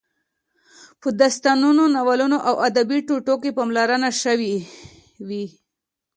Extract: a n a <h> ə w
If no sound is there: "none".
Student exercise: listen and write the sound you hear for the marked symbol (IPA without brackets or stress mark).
ʃ